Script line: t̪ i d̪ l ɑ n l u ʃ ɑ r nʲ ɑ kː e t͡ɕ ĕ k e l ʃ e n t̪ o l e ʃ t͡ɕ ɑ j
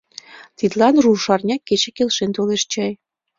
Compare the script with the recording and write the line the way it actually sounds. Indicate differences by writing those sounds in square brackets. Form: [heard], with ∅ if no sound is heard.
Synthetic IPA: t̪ i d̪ l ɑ n [r] u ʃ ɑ r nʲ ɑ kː e t͡ɕ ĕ k e l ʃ e n t̪ o l e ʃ t͡ɕ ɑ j